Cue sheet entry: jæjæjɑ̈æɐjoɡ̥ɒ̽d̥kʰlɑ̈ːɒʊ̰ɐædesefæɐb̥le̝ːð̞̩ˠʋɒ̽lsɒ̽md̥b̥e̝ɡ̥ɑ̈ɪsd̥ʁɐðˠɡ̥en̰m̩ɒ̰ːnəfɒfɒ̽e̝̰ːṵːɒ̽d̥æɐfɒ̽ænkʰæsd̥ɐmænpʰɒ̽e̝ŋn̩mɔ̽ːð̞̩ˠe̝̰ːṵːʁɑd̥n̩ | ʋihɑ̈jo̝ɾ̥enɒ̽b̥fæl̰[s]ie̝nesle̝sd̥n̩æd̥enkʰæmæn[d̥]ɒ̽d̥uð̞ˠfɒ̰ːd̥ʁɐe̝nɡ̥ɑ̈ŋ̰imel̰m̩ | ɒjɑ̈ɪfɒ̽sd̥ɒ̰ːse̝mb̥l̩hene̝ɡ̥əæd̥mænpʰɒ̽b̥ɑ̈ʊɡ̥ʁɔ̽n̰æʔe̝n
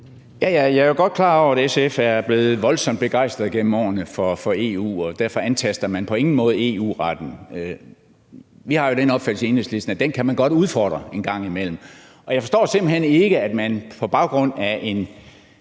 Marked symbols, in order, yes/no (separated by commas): yes, no